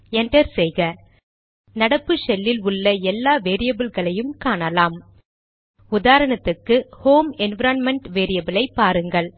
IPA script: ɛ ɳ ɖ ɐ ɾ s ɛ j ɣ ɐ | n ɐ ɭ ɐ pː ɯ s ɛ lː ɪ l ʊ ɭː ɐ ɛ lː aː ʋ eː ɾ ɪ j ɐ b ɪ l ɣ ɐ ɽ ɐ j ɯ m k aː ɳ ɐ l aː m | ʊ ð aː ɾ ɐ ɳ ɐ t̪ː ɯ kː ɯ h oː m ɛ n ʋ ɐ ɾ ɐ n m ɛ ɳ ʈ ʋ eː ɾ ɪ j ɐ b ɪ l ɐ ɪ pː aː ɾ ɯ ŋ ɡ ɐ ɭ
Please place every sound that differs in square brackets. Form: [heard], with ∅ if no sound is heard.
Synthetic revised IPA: ɛ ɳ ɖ ɐ ɾ s ɛ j ɣ ɐ | n ɐ [ɽ] ɐ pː ɯ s ɛ lː ɪ l ʊ ɭː ɐ ɛ lː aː ʋ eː ɾ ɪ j ɐ b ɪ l ɣ ɐ [ɭ] ɐ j ɯ m k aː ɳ ɐ l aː m | ʊ ð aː ɾ ɐ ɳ ɐ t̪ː ɯ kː ɯ h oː m ɛ n ʋ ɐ ɾ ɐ n m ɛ ɳ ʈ ʋ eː ɾ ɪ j ɐ b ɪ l ɐ ɪ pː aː ɾ ɯ ŋ ɡ ɐ ɭ